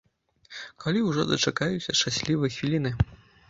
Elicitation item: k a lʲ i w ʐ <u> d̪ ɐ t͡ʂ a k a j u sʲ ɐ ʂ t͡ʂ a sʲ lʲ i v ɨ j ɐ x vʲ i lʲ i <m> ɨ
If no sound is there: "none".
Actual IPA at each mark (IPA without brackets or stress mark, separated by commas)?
ɔ, n